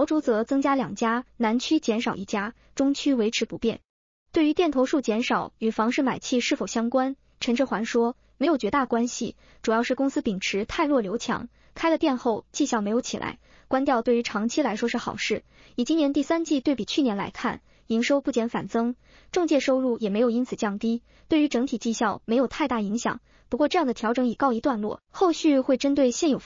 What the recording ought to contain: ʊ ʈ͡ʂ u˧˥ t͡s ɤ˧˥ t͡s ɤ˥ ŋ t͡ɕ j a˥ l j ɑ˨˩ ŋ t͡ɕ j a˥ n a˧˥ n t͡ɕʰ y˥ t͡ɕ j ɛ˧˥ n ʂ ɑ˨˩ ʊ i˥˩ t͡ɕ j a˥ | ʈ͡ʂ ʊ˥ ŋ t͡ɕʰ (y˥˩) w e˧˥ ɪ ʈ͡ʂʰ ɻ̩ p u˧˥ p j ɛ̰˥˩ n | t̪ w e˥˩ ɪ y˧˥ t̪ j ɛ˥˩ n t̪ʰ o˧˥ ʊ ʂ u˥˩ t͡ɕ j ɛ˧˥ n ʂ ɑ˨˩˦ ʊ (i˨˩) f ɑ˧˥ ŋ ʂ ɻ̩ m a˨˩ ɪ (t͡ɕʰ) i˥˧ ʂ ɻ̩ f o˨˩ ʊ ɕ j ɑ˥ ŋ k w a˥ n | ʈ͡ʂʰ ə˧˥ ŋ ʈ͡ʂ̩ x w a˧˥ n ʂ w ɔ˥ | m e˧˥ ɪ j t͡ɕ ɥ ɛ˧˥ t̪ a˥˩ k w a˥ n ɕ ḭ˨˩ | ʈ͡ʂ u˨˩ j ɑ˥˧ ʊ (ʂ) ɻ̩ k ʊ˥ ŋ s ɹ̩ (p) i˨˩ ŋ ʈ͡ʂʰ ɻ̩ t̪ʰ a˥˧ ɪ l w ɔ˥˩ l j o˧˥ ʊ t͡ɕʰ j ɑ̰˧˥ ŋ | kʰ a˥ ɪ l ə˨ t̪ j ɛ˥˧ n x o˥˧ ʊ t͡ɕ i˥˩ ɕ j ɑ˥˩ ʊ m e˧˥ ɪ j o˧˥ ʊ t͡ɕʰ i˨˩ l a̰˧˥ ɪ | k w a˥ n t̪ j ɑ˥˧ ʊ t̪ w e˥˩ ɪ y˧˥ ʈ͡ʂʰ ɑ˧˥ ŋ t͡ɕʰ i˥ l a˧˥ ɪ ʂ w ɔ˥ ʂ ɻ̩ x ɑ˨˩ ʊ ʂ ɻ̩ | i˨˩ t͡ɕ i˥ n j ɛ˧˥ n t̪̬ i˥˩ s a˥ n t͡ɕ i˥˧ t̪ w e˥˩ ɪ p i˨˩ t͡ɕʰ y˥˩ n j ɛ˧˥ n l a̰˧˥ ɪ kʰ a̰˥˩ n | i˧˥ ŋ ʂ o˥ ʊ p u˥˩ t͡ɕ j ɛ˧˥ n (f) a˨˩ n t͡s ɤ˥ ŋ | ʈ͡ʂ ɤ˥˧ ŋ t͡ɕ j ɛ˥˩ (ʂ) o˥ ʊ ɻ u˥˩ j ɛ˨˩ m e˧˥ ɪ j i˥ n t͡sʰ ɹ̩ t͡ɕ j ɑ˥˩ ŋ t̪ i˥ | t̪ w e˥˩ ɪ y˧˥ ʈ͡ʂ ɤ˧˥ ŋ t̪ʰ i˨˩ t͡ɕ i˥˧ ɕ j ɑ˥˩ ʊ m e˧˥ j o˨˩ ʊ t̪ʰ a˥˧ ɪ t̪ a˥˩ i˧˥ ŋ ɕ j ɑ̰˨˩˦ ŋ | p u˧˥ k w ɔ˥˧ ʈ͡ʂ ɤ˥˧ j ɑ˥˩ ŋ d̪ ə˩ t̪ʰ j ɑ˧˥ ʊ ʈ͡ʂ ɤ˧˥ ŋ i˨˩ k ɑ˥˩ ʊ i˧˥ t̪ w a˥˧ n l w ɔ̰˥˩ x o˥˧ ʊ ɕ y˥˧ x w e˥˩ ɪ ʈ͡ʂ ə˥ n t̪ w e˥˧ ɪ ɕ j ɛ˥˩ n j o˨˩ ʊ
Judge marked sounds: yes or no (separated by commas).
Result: no, no, yes, yes, yes, yes, yes